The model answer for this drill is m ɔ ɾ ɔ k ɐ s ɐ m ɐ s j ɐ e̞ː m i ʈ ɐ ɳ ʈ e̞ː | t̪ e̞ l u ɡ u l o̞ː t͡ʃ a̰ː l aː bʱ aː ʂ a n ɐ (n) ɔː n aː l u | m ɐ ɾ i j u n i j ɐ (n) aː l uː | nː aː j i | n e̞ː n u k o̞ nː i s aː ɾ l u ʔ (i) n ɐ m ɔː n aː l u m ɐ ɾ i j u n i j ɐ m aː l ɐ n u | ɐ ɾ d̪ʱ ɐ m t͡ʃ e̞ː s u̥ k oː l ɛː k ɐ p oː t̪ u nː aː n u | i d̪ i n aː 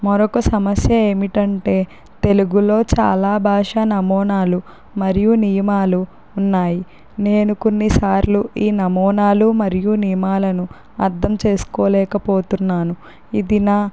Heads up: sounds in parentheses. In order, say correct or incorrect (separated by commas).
incorrect, incorrect, incorrect